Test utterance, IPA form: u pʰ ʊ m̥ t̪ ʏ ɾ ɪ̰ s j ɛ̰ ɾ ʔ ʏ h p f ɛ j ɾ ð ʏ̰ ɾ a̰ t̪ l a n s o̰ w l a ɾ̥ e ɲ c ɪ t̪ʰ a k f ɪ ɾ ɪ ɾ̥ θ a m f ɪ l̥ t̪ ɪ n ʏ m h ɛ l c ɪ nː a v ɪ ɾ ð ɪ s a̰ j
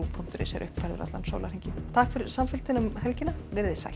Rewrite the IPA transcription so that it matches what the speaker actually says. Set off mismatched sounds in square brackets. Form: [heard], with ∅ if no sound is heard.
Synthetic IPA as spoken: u pʰ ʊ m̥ t̪ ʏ ɾ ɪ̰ s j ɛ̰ ɾ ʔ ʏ h p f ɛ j ɾ ð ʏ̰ ɾ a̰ t̪ l a n s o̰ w l a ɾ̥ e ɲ c ɪ t̪ʰ a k f ɪ ɾ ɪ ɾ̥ [s] a m f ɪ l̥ t̪ ɪ n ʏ m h ɛ l c ɪ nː a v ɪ ɾ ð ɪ s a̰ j

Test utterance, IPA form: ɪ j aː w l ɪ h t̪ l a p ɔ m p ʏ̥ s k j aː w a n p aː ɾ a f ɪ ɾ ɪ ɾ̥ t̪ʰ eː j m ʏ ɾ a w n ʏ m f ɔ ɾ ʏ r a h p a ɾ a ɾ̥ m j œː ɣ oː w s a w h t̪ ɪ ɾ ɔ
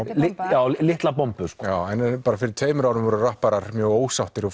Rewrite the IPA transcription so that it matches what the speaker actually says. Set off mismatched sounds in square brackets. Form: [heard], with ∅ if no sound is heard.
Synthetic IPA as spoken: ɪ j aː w l ɪ h t̪ l a p ɔ m p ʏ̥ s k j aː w [ɛ] n p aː ɾ a f ɪ ɾ ɪ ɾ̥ t̪ʰ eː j m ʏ ɾ a w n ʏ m [v] ɔ ɾ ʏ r a h p a ɾ a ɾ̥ m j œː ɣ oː w s a w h t̪ ɪ ɾ ɔ

